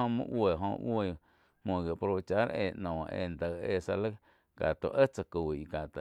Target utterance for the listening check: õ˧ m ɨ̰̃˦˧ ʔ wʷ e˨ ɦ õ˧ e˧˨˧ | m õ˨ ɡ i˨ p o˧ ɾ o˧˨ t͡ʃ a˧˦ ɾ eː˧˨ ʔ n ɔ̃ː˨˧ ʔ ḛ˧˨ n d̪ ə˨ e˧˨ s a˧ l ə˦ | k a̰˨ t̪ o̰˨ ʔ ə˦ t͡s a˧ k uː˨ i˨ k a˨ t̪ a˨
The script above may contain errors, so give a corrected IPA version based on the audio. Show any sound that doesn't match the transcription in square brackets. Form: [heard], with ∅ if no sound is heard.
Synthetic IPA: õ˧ m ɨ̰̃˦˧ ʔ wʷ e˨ ɦ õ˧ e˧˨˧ | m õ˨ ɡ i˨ p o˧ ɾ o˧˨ t͡ʃ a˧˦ ɾ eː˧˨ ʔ n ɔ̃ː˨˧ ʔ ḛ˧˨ n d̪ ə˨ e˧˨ s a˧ l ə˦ | k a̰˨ t̪ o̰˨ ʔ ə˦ t͡s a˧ k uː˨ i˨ k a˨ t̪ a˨